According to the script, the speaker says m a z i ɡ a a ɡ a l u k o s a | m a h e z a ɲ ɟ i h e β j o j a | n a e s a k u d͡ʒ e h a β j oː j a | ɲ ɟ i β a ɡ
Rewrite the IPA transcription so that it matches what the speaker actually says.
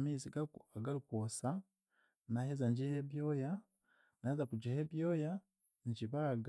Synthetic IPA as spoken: m i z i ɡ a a ɡ a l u k o s a | n a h e z a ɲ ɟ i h e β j o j a | n a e z a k u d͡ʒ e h e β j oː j a | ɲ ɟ i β a ɡ